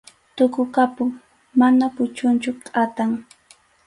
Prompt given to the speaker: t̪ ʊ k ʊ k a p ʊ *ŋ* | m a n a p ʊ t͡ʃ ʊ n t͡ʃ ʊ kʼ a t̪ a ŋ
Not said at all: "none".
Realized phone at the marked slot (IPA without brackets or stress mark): ŋ